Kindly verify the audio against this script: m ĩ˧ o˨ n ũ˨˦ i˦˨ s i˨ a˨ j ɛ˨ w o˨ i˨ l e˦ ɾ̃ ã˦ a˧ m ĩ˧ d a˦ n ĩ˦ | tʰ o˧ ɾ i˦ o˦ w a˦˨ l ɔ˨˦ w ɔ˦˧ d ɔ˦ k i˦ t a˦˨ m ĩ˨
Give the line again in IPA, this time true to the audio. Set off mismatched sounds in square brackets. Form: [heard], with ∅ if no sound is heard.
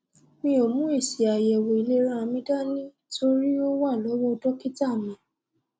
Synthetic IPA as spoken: m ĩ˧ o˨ [m] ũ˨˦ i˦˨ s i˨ a˨ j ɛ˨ w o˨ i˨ l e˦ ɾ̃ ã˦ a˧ m ĩ˧ d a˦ n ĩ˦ | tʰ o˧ ɾ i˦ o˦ w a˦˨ l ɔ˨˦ w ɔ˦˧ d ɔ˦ k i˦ t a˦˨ m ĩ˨